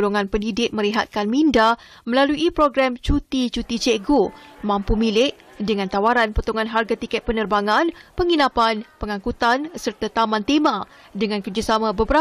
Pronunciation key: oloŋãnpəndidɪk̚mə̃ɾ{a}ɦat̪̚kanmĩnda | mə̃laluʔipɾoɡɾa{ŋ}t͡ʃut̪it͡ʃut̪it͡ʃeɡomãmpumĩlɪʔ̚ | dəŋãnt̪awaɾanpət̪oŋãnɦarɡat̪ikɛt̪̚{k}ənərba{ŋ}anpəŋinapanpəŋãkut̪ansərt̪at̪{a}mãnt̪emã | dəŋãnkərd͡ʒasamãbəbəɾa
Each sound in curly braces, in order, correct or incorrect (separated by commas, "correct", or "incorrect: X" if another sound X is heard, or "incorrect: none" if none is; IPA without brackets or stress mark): incorrect: i, incorrect: m, incorrect: p, correct, correct